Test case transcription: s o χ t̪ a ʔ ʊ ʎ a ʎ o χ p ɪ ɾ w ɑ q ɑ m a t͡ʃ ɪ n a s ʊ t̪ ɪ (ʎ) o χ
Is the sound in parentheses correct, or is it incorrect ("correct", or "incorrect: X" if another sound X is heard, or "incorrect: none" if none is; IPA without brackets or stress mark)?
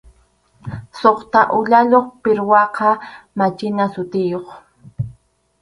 incorrect: j